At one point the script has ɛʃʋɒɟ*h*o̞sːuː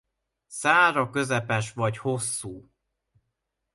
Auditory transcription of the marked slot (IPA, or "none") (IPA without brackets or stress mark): h